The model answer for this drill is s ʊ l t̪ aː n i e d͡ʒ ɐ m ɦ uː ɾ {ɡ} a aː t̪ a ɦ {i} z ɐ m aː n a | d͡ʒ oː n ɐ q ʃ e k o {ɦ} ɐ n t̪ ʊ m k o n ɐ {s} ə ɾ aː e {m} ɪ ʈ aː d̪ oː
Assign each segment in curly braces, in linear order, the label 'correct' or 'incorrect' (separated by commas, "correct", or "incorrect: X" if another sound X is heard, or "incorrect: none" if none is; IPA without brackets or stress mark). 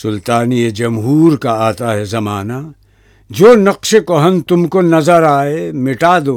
incorrect: k, incorrect: ɛ, correct, incorrect: z, correct